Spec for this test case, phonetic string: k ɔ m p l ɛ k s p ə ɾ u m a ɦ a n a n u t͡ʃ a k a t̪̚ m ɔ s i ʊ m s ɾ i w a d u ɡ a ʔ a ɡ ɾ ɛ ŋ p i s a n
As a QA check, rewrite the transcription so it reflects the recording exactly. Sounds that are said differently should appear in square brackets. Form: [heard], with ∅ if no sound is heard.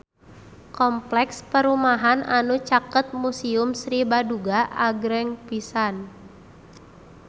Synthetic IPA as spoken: k ɔ m p l ɛ k s p ə ɾ u m a ɦ a n a n u t͡ʃ a k [ə] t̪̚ m [u] s i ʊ m s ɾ i [b] a d u ɡ a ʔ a ɡ ɾ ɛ ŋ p i s a n

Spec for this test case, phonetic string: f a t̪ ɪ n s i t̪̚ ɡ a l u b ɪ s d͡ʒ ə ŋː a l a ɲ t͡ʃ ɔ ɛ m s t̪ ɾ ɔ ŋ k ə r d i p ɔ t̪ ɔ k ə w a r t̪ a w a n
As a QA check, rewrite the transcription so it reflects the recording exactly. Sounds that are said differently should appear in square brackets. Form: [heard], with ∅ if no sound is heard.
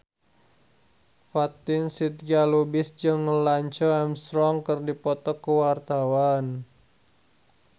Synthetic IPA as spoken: f a t̪ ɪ n s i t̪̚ ɡ a l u b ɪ s d͡ʒ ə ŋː [ə] l a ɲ t͡ʃ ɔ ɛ m s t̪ ɾ ɔ ŋ k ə r d i p ɔ t̪ ɔ k ə w a r t̪ a w a n

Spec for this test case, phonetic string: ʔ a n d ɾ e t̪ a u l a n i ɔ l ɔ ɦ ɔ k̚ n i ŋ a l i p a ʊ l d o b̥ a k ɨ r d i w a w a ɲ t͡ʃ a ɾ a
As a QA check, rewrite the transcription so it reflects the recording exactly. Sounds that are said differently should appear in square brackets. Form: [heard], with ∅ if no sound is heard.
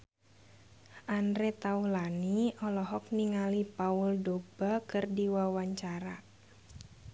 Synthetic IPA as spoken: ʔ a n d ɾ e t̪ a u l a n i ɔ l ɔ ɦ ɔ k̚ n i ŋ a l i p a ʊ l d o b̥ a k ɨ r d i w a w a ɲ t͡ʃ a ɾ a

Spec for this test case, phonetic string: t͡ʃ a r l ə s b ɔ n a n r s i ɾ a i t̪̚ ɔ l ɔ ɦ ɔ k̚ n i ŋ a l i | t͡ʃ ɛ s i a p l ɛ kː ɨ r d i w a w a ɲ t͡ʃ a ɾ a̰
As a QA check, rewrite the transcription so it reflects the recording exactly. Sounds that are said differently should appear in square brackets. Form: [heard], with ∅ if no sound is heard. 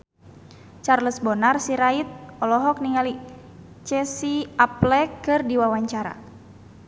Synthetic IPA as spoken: t͡ʃ a r l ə s b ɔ n a [∅] r s i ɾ a i t̪̚ ɔ l ɔ ɦ ɔ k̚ n i ŋ a l i | t͡ʃ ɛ s i a p l ɛ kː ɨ r d i w a w a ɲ t͡ʃ a ɾ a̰

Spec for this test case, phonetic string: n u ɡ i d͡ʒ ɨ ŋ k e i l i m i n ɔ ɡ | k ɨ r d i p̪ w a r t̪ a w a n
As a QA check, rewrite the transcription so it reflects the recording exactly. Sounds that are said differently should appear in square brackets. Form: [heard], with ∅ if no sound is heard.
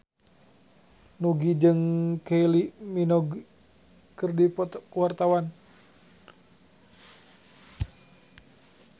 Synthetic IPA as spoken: n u ɡ i d͡ʒ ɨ ŋ k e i l i m i n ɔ ɡ | k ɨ r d i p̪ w a r t̪ a w a n

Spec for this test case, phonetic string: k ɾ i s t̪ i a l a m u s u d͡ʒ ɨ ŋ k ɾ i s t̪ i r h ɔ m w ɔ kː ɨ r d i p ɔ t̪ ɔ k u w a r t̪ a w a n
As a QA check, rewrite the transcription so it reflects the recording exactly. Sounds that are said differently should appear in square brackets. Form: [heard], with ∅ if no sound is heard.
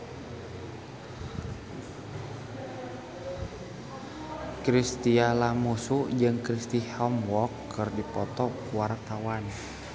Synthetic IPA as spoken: k ɾ i s t̪ i a l a m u s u d͡ʒ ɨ ŋ k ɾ i s t̪ i [∅] h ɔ m w ɔ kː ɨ r d i p ɔ t̪ ɔ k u w a r t̪ a w a n

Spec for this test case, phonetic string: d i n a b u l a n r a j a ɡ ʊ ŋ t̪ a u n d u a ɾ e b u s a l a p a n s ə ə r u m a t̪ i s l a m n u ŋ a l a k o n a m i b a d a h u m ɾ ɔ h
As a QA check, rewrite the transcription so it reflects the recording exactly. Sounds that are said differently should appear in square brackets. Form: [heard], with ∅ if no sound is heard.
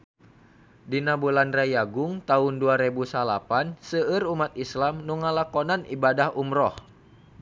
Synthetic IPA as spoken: d i n a b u l a n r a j a ɡ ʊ ŋ t̪ a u n d u a ɾ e b u s a l a p a n s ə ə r u m a t̪ i s l a m n u ŋ a l a k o n a [n] i b a d a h u m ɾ ɔ h

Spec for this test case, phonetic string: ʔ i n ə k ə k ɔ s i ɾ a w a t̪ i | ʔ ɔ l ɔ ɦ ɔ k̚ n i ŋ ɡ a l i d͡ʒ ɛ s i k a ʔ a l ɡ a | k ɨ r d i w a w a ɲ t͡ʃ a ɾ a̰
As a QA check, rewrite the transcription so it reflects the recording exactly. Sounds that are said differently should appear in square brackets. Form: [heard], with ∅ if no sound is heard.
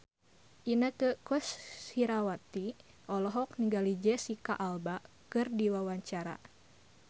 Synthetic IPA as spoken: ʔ i n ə k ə k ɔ s i ɾ a w a t̪ i | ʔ ɔ l ɔ ɦ ɔ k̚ n i ŋ ɡ a l i d͡ʒ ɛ s i k a ʔ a l [b] a | k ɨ r d i w a w a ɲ t͡ʃ a ɾ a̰

